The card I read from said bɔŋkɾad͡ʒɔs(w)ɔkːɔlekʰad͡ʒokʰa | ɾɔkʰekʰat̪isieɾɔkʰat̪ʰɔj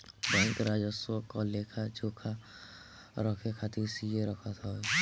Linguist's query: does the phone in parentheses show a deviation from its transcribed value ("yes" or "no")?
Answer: no